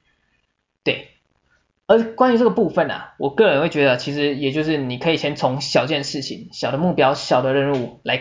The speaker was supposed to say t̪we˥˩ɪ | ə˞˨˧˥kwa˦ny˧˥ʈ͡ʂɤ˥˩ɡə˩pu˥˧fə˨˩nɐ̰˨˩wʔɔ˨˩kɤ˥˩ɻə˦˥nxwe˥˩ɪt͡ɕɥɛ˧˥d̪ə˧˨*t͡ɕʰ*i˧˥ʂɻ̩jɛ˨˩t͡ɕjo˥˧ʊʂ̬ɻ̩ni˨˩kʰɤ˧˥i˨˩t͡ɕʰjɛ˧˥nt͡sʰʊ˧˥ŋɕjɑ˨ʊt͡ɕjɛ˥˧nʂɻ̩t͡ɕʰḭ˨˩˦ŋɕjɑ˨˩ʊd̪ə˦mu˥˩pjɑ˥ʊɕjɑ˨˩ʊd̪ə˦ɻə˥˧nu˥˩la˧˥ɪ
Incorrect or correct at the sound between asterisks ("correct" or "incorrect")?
correct